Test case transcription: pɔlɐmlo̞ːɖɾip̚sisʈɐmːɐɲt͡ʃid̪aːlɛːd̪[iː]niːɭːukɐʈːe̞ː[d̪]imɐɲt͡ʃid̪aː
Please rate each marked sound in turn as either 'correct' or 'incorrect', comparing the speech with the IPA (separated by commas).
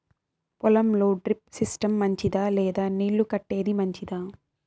incorrect, correct